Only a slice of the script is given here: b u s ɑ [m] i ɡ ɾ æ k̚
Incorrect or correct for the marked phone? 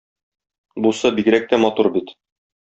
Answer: incorrect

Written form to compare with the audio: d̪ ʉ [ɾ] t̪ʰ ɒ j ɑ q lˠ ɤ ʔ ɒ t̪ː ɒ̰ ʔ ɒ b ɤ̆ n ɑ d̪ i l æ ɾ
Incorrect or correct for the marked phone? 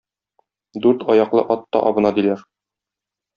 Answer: correct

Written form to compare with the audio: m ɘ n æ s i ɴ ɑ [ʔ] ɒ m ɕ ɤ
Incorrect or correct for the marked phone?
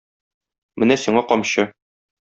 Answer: incorrect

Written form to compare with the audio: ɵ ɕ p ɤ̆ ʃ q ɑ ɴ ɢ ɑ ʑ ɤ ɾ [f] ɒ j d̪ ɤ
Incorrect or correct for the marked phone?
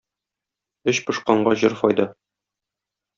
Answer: correct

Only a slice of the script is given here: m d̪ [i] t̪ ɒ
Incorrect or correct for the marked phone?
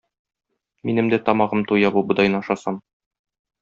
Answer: incorrect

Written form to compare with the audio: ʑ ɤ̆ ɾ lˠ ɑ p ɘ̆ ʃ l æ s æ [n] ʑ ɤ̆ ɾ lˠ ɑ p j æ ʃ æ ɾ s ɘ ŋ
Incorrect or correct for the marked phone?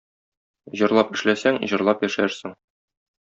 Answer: incorrect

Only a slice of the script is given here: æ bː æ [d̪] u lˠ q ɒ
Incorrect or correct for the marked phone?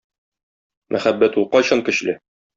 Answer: incorrect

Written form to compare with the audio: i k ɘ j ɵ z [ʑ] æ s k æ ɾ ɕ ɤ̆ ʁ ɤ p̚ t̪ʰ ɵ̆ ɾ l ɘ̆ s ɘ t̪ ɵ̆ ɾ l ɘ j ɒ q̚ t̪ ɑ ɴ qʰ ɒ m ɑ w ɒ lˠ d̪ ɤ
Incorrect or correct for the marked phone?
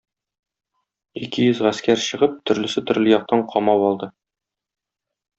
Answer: incorrect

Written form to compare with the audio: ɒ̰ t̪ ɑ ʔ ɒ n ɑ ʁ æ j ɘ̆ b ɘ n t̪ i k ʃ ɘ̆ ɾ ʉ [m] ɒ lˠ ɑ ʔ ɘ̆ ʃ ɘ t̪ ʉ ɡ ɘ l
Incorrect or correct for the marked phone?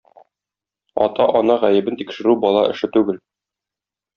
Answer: incorrect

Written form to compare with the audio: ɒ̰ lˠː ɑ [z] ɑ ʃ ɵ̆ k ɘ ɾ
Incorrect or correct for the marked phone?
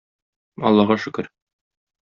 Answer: incorrect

